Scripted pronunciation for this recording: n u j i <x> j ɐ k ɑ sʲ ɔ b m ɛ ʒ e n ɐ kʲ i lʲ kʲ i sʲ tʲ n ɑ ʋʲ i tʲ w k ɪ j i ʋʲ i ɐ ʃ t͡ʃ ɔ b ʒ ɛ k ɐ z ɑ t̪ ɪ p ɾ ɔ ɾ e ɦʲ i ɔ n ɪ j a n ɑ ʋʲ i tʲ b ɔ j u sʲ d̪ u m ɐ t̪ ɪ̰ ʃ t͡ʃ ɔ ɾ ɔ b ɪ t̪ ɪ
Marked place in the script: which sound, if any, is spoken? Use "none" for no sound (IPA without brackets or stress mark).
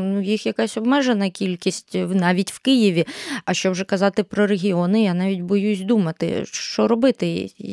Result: x